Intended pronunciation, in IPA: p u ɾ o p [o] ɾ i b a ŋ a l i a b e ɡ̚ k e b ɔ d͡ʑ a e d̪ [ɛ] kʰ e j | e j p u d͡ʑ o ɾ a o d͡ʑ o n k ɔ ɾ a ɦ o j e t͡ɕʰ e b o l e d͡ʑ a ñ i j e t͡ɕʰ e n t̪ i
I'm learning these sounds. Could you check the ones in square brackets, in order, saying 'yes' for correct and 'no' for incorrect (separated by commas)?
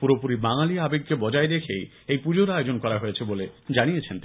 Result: no, no